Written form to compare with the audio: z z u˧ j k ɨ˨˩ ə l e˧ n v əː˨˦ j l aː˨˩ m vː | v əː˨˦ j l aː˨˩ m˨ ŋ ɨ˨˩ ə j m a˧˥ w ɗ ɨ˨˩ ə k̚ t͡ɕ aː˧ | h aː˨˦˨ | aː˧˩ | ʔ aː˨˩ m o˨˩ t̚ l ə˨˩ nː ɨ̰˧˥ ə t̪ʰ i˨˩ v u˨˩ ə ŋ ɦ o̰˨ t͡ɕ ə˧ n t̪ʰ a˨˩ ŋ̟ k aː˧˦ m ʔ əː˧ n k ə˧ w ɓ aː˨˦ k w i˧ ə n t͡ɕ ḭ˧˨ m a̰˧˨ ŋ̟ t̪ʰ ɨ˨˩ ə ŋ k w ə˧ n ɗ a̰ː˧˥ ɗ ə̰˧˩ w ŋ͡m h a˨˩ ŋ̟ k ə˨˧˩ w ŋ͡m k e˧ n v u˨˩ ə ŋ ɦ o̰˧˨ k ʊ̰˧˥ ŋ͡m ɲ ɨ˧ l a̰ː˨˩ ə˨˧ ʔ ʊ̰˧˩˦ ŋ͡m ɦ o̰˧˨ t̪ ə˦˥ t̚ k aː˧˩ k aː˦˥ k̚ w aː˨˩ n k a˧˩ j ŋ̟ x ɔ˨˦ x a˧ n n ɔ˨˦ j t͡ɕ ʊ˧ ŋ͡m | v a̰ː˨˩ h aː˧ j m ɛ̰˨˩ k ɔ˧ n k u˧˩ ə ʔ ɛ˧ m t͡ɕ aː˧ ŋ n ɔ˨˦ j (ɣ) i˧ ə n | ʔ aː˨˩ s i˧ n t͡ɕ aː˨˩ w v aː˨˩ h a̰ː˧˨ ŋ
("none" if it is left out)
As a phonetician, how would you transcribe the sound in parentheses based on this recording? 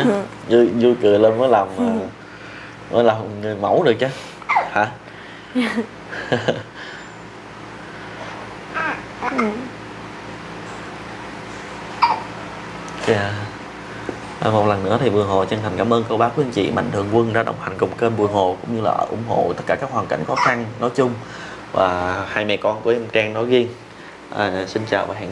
ɣ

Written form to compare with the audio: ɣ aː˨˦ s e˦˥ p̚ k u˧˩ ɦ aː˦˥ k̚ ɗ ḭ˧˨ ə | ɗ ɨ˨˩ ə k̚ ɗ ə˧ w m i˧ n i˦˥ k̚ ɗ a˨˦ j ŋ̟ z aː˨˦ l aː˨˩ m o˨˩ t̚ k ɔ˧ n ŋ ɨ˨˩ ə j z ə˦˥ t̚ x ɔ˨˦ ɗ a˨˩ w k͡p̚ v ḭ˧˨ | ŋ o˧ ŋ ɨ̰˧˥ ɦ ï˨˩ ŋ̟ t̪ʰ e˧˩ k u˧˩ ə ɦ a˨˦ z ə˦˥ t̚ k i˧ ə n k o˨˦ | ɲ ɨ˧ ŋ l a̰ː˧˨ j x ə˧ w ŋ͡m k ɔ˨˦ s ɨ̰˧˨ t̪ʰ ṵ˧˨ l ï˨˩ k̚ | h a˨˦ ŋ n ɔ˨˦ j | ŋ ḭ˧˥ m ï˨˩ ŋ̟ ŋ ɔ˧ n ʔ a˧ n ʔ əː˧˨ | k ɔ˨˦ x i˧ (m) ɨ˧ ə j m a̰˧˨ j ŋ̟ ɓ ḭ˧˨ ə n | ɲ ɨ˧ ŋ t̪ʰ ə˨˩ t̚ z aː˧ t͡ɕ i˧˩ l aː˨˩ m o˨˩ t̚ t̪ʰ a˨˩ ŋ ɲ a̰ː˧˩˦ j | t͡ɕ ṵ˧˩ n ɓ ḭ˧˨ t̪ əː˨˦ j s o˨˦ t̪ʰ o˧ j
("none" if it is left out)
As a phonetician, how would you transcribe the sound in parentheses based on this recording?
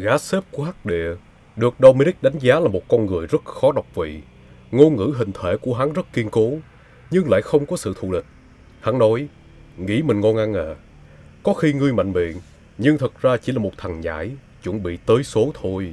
ŋ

